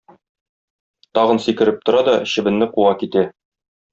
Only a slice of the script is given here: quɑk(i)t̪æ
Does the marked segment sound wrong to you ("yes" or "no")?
no